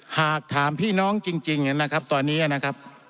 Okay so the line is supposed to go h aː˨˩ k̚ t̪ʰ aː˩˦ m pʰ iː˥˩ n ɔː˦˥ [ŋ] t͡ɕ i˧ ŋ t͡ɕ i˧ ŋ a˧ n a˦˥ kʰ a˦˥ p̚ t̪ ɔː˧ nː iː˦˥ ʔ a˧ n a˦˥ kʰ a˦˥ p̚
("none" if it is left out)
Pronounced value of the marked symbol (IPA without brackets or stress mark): ŋ